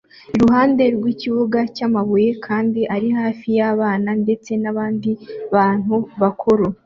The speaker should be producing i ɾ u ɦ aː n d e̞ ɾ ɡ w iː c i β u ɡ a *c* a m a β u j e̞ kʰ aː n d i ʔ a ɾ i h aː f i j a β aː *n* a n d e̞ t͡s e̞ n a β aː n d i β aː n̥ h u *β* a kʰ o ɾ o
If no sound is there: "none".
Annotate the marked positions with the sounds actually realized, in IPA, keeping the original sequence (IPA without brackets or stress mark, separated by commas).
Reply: c, n, β